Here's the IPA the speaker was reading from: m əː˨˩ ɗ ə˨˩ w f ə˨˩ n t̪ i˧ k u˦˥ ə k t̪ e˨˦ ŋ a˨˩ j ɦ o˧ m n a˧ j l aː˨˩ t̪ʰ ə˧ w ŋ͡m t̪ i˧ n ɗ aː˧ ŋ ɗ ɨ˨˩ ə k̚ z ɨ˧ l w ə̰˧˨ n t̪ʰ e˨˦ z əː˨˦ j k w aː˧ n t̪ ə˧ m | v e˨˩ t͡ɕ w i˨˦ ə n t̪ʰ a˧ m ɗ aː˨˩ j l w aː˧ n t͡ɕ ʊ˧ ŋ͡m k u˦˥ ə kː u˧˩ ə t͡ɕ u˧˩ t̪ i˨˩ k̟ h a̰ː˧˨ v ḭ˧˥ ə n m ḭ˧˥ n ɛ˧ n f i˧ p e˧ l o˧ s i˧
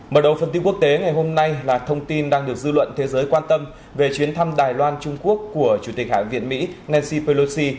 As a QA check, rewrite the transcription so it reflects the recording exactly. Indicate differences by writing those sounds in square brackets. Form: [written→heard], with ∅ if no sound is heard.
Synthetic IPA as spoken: m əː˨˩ ɗ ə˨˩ w f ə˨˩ n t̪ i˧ k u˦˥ ə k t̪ e˨˦ ŋ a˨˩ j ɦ o˧ m n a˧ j l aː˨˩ t̪ʰ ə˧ w ŋ͡m t̪ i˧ n ɗ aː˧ ŋ ɗ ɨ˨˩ ə k̚ z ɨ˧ l w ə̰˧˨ n t̪ʰ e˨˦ z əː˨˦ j k w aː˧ n t̪ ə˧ m | v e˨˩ t͡ɕ w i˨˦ ə n t̪ʰ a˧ m ɗ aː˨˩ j l w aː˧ n t͡ɕ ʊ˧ ŋ͡m k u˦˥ ə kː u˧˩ ə t͡ɕ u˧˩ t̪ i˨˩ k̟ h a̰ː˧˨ v [ḭ˧˥→ḭ˧˨] ə n m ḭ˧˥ n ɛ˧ n [f→s] i˧ p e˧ l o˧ s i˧

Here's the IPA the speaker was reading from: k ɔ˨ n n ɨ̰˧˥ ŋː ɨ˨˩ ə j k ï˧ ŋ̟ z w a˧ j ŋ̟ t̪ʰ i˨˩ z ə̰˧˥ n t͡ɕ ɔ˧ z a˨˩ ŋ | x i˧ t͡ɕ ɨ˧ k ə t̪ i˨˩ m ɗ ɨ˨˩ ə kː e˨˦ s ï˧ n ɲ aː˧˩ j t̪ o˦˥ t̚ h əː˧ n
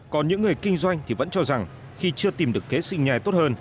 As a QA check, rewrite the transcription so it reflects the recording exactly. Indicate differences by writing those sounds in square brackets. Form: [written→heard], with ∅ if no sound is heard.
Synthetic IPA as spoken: k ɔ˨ n [n→ɲ] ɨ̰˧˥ ŋː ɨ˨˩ ə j k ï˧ ŋ̟ z w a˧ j ŋ̟ t̪ʰ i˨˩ [z→v] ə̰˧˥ n t͡ɕ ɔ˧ z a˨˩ ŋ | x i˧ t͡ɕ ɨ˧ [k→∅] ə t̪ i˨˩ m ɗ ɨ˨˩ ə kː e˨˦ s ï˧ [n→ŋ] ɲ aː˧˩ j t̪ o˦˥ t̚ h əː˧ n

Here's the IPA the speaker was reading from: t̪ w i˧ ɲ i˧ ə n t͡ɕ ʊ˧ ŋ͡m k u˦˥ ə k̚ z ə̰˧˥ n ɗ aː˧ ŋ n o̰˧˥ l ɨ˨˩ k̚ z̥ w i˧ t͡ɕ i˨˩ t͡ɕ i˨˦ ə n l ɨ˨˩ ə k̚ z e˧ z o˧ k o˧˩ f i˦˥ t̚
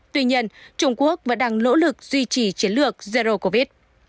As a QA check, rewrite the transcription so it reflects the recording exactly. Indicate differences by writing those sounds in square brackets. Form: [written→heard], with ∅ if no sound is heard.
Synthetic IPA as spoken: t̪ w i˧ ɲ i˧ ə n t͡ɕ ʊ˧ ŋ͡m k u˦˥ ə k̚ [z→v] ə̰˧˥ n ɗ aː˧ ŋ n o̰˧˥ l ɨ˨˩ k̚ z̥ w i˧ t͡ɕ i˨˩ t͡ɕ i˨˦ ə n l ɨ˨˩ ə k̚ z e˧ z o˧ k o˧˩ [f→v] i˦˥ t̚

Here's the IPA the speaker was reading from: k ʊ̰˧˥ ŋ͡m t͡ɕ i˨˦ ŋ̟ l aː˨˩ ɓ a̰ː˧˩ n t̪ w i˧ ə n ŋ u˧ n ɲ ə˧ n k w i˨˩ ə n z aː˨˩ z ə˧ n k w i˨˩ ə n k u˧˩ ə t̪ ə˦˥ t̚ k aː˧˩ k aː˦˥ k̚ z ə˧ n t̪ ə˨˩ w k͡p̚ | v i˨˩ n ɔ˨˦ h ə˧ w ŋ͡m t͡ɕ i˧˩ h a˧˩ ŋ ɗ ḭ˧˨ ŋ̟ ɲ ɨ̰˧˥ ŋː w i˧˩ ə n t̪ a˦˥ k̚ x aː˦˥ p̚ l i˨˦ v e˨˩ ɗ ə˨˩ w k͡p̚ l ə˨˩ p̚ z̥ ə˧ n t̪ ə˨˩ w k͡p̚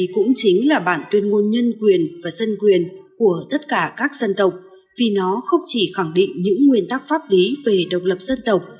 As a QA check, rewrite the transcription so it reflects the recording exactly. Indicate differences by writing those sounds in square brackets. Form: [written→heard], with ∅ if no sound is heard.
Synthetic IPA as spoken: k ʊ̰˧˥ ŋ͡m t͡ɕ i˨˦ ŋ̟ l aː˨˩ ɓ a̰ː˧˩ n t̪ w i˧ ə n ŋ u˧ n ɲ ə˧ n k w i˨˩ ə n [z→v] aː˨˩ z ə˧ n k w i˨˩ ə n k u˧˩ ə t̪ ə˦˥ t̚ k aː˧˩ k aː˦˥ k̚ z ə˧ n t̪ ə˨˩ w k͡p̚ | v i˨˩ n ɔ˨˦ [h→x] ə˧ w ŋ͡m t͡ɕ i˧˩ [h→x] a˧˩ ŋ ɗ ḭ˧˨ ŋ̟ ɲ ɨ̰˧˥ ŋː w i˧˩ ə n t̪ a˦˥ k̚ [x→f] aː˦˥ p̚ l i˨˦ v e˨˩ ɗ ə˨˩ w k͡p̚ l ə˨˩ p̚ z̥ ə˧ n t̪ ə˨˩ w k͡p̚

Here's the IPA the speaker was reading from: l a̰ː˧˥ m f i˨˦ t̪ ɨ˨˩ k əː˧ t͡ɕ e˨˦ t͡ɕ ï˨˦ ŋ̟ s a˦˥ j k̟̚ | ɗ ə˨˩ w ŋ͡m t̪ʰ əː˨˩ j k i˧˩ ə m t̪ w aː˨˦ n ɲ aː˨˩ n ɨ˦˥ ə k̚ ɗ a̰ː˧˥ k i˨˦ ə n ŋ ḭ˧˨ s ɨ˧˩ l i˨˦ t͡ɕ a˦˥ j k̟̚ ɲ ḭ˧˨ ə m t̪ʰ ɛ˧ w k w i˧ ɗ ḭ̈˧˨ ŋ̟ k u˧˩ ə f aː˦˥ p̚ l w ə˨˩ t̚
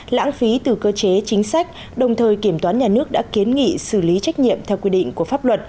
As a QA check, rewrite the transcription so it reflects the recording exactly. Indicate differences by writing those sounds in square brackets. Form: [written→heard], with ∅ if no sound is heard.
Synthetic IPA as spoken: l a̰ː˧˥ [m→ŋ] f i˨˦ t̪ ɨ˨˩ k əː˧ t͡ɕ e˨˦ t͡ɕ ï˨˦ ŋ̟ s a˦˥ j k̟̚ | ɗ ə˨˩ w ŋ͡m t̪ʰ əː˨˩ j k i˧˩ ə m t̪ w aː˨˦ n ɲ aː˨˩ n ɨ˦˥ ə k̚ ɗ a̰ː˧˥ k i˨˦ ə n ŋ ḭ˧˨ s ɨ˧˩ l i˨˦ t͡ɕ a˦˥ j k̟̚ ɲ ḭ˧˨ ə m t̪ʰ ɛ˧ w k w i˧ ɗ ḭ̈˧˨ ŋ̟ k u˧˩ ə f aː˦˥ p̚ l w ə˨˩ t̚

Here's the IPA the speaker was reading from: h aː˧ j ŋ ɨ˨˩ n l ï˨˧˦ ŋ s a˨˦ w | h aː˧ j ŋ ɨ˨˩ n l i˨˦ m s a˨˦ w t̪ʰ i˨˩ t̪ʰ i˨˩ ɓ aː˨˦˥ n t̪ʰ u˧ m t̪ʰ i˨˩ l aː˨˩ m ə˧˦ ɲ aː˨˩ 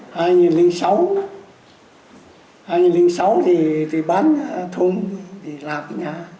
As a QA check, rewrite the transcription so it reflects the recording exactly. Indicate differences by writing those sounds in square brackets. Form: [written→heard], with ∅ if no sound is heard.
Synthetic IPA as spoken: h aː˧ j ŋ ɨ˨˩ n l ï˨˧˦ ŋ s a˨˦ w | h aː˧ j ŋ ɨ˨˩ n l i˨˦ [m→ŋ] s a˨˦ w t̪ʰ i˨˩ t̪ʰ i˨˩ ɓ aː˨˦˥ n t̪ʰ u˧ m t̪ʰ i˨˩ l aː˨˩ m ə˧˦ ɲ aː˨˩

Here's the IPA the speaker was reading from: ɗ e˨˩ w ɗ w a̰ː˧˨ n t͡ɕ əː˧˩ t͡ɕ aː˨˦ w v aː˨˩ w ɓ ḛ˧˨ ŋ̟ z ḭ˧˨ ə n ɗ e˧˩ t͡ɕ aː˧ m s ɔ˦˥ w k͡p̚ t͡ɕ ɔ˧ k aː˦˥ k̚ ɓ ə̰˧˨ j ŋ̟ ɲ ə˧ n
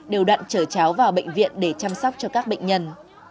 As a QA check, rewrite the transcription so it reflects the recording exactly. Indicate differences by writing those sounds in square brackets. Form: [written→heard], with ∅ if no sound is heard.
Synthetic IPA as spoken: ɗ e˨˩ w ɗ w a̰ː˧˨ n t͡ɕ əː˧˩ t͡ɕ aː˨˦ w v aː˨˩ w ɓ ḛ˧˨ ŋ̟ [z→v] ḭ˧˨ ə n ɗ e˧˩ t͡ɕ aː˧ m s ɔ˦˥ w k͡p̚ t͡ɕ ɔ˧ k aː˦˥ k̚ ɓ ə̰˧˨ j ŋ̟ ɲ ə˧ n

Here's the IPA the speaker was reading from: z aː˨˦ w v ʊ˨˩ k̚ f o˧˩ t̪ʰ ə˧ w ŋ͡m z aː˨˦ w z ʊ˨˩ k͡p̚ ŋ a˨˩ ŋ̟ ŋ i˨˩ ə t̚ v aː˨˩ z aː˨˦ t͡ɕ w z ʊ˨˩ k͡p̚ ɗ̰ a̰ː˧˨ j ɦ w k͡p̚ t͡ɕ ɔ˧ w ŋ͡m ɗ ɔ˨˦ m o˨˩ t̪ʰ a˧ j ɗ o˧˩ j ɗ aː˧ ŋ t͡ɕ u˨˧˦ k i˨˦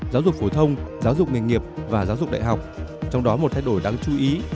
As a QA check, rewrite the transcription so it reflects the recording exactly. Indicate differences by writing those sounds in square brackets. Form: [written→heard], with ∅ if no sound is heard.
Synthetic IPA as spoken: z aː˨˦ w [v→z] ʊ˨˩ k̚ f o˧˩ t̪ʰ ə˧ w ŋ͡m z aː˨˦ w z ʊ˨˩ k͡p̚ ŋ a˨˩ ŋ̟ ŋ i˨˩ ə [t̚→p̚] v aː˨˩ z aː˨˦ [t͡ɕ→∅] w z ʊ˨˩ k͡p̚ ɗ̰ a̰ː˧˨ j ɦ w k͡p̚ t͡ɕ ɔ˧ w ŋ͡m ɗ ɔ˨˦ m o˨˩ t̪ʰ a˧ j ɗ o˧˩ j ɗ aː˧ ŋ t͡ɕ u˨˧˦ [k→ʔ] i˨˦

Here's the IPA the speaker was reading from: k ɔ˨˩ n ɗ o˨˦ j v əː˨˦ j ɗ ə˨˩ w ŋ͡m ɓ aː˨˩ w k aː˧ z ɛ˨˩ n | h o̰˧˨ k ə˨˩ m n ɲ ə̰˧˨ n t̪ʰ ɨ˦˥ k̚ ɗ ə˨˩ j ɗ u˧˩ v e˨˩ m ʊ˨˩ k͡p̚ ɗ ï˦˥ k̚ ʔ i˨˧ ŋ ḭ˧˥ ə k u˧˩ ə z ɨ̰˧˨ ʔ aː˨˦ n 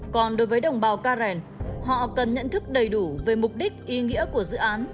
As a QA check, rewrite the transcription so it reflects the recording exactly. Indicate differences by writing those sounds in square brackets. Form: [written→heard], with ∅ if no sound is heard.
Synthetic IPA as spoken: k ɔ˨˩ n ɗ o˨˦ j v əː˨˦ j ɗ ə˨˩ w ŋ͡m ɓ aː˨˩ w k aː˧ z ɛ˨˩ n | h [o̰˧˨→ɔ̰˧˨] k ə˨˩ [m→∅] n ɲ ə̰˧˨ n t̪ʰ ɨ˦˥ k̚ ɗ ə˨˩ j ɗ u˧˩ v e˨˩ m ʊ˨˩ k͡p̚ ɗ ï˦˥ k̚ ʔ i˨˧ ŋ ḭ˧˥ ə k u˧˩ ə z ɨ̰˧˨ ʔ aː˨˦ n

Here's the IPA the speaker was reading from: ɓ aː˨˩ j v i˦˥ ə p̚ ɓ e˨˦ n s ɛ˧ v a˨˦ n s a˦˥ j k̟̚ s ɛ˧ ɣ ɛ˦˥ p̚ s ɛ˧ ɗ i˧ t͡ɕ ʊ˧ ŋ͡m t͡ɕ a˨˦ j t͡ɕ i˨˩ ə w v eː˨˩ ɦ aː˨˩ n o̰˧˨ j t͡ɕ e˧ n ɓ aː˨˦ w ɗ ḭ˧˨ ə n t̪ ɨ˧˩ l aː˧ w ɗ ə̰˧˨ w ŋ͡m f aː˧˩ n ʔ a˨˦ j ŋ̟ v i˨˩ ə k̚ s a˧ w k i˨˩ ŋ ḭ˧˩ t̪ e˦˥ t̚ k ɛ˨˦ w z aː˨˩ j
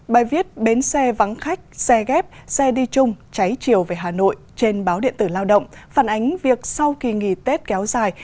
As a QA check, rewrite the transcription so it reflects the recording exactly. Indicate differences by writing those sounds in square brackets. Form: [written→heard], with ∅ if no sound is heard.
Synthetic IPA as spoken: ɓ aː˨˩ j v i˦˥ ə [p̚→t̚] ɓ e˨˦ n s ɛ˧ v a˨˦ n [s→x] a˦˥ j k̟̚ s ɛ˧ ɣ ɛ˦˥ p̚ s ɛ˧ ɗ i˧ t͡ɕ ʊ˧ ŋ͡m t͡ɕ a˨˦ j t͡ɕ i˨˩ ə w v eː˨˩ ɦ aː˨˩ n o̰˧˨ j t͡ɕ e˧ n ɓ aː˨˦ w ɗ ḭ˧˨ ə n t̪ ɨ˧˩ l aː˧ w ɗ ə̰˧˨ w ŋ͡m f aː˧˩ n ʔ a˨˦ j ŋ̟ v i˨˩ ə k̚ s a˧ w k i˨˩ ŋ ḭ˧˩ t̪ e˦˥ t̚ k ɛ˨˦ w z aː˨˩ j

